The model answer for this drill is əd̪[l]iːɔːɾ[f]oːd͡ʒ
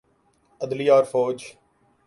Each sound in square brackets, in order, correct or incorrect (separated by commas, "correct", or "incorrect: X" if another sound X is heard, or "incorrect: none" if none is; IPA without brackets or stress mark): correct, correct